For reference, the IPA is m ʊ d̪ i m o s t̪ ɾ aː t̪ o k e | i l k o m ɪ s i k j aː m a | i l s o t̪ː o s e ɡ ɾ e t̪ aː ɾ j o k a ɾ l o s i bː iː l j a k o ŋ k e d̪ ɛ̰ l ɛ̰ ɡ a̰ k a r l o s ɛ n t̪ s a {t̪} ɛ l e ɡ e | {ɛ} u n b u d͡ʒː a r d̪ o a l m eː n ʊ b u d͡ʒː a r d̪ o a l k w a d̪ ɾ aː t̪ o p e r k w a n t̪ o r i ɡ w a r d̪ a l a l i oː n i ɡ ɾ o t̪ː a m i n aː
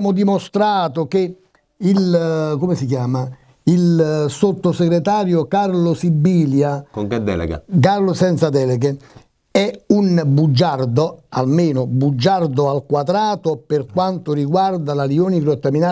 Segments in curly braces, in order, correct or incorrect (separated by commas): incorrect, correct